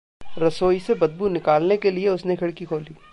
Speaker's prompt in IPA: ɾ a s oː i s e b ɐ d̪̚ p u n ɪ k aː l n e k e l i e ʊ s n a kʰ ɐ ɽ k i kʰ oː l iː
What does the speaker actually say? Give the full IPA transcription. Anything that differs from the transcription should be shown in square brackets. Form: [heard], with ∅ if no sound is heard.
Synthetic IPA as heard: ɾ [ɐ] s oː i s e b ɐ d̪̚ [b] u n ɪ k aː l n e k e l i e ʊ s n [e] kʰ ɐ ɽ k i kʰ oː l iː